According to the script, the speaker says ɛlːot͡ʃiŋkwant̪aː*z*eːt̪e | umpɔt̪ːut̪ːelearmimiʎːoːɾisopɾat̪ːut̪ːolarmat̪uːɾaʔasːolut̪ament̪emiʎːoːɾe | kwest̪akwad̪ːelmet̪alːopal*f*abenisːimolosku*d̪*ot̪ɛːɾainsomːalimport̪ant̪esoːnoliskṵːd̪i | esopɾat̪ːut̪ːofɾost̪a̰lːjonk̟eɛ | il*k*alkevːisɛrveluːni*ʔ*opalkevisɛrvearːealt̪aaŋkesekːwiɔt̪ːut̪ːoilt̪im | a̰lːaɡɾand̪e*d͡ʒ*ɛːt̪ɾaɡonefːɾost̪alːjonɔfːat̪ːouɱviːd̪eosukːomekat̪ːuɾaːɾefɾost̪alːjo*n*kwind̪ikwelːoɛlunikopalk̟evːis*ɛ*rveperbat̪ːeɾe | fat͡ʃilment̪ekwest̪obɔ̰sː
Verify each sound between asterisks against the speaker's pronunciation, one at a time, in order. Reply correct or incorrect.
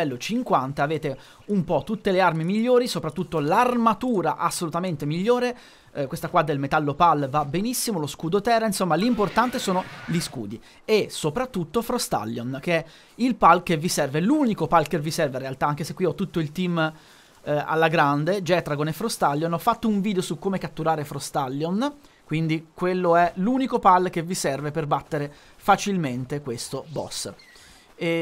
incorrect, incorrect, correct, incorrect, incorrect, correct, correct, correct

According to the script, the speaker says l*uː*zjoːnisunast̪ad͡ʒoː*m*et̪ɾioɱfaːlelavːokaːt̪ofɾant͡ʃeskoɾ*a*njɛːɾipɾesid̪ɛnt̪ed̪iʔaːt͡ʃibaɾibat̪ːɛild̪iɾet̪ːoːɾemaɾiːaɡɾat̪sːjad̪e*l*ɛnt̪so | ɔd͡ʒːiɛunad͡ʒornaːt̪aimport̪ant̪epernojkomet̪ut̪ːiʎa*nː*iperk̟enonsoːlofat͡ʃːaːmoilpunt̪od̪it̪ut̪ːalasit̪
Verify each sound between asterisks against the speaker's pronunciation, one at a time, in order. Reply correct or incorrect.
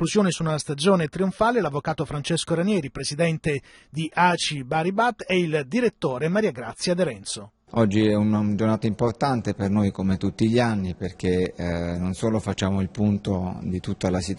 incorrect, incorrect, correct, incorrect, correct

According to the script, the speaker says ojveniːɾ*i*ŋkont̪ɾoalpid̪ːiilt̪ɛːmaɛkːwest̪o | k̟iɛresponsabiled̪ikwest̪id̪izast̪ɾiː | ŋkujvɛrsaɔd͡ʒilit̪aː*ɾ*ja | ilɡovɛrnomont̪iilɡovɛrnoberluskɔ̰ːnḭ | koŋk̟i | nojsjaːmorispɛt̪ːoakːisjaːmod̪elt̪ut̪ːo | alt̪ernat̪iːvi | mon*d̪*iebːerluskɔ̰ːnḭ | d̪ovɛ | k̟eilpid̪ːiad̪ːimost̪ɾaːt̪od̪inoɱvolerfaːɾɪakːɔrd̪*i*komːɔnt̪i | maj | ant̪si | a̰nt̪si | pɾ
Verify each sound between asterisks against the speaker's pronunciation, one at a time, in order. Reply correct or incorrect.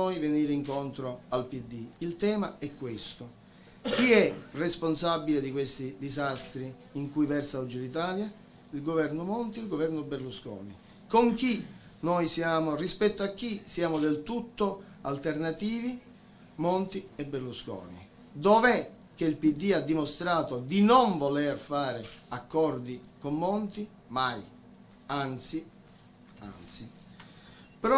correct, incorrect, incorrect, correct

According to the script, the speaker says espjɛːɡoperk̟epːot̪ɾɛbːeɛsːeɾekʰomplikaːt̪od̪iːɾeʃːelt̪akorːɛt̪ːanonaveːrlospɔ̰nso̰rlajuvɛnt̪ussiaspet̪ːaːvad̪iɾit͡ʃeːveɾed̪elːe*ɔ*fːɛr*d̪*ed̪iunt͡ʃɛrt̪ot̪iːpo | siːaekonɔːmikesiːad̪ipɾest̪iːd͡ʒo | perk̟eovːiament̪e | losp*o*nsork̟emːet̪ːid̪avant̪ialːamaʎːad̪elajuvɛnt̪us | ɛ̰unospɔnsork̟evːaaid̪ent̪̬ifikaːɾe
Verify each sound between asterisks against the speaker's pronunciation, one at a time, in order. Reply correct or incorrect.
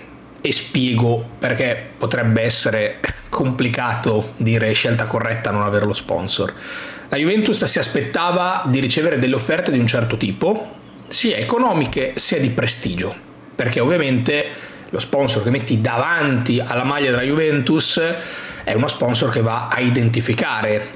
incorrect, incorrect, incorrect

